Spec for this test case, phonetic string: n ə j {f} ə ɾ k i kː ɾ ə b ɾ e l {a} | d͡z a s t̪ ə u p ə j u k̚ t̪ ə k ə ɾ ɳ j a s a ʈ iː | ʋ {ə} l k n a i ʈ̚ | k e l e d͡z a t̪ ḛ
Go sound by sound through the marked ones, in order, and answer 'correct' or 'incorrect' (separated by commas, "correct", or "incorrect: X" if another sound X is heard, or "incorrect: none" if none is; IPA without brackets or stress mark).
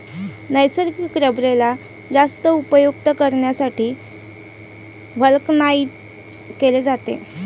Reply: incorrect: s, correct, correct